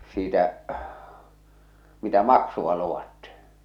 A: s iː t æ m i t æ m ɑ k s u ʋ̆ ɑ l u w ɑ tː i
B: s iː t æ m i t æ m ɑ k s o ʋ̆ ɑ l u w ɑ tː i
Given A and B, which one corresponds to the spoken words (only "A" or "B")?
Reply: A